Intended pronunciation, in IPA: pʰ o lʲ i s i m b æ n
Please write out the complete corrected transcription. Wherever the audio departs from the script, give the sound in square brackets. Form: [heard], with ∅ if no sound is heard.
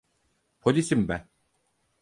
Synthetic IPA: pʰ o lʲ i s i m b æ n